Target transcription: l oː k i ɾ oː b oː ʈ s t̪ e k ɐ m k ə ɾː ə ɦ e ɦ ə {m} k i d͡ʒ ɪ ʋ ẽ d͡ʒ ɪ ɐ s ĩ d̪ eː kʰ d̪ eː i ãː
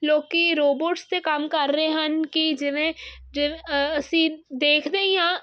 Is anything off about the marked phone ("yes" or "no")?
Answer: yes